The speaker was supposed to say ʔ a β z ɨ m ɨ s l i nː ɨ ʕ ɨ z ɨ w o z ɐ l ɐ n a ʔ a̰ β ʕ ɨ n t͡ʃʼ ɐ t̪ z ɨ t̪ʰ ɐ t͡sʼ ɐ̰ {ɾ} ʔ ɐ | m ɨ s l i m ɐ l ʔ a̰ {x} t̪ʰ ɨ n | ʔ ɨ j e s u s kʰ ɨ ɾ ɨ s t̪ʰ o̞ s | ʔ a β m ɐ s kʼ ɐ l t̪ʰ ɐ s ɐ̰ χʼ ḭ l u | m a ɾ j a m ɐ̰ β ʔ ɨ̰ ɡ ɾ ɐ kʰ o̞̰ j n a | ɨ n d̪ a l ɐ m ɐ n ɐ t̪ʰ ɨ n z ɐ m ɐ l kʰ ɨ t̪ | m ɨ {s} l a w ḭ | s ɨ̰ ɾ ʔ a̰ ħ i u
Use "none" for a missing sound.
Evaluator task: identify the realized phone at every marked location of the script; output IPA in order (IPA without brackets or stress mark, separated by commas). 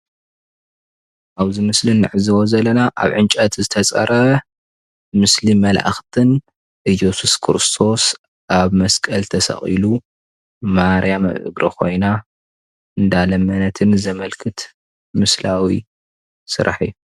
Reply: ɾ, x, s